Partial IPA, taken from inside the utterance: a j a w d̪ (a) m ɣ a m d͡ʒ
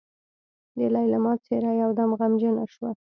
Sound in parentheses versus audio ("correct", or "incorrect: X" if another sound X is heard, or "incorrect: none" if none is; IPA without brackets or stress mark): correct